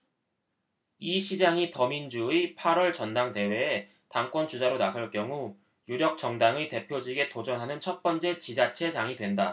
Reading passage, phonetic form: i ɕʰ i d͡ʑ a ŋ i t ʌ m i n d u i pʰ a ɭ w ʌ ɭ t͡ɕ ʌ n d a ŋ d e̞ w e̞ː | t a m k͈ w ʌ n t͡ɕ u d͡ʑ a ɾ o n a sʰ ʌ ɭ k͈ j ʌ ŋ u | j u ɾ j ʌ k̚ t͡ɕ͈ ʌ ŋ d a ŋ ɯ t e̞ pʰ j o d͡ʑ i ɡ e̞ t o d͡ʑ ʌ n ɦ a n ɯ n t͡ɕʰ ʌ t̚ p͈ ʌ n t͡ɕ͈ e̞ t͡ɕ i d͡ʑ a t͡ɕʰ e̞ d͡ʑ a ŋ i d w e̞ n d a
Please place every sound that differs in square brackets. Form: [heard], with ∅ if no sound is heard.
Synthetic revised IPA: i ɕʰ i d͡ʑ a ŋ i t ʌ m i n [d͡ʑ] u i pʰ a [ɾ] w ʌ ɭ t͡ɕ ʌ n d a ŋ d e̞ w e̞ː | t a [ŋ] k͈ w ʌ n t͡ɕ u d͡ʑ a ɾ o n a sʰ ʌ ɭ k͈ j ʌ ŋ u | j u ɾ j ʌ k̚ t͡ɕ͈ ʌ ŋ d a ŋ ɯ t e̞ pʰ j o d͡ʑ i ɡ e̞ t o d͡ʑ ʌ n ɦ a n ɯ n t͡ɕʰ ʌ t̚ p͈ ʌ n t͡ɕ͈ e̞ t͡ɕ i d͡ʑ a t͡ɕʰ e̞ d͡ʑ a ŋ i d w e̞ n d a